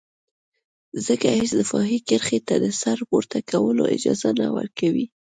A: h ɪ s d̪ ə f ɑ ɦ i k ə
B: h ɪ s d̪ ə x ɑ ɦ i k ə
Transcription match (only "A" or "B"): A